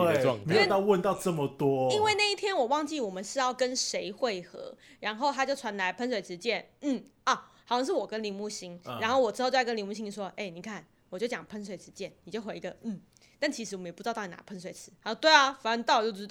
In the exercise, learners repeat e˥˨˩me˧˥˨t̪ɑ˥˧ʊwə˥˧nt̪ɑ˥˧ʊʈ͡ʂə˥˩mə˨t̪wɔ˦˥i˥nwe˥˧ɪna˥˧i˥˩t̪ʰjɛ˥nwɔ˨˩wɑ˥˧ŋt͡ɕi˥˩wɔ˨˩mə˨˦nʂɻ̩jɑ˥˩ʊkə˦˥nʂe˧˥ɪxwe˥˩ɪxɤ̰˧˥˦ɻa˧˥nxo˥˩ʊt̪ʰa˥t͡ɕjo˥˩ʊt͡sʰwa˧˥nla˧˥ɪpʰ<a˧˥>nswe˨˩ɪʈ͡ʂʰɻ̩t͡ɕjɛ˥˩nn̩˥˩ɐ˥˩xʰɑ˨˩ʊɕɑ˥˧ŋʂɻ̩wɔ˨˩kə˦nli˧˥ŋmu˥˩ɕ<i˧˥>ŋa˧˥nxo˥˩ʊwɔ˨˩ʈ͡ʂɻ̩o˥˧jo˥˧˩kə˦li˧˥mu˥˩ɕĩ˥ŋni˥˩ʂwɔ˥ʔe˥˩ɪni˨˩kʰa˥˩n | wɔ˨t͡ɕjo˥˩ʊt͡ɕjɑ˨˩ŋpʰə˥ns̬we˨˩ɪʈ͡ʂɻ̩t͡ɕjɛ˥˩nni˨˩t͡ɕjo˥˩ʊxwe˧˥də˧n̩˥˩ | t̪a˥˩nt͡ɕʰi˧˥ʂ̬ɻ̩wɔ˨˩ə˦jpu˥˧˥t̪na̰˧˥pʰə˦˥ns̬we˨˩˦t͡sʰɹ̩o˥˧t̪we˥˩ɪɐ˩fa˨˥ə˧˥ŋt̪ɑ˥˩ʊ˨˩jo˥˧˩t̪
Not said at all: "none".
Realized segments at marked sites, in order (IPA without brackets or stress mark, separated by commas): ə˧˥, i˥